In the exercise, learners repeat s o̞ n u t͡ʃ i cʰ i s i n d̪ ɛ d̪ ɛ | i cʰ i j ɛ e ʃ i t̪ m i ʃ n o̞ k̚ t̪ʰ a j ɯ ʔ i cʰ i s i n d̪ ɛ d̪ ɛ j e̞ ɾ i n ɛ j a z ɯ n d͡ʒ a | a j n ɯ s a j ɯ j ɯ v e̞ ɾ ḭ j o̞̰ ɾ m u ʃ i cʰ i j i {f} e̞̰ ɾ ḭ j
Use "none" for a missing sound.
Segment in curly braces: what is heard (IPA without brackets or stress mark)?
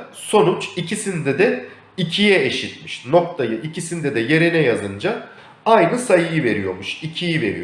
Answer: v